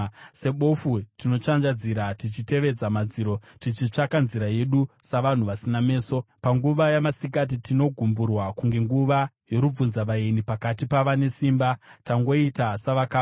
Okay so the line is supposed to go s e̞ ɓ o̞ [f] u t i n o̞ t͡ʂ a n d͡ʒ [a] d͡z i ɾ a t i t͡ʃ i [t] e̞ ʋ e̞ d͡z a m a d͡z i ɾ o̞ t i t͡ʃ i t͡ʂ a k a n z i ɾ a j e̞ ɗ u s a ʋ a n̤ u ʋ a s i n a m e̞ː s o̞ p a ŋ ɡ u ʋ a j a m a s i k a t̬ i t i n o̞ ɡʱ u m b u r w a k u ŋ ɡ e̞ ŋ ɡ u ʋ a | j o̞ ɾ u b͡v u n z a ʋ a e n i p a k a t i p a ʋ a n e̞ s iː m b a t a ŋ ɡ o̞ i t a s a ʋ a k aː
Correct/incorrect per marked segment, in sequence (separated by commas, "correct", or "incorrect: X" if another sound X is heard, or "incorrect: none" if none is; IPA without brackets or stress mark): correct, correct, correct